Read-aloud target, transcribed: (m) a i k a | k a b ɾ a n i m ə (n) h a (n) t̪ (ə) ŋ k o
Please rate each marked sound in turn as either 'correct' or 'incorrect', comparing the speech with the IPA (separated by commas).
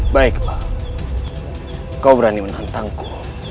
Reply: incorrect, correct, correct, incorrect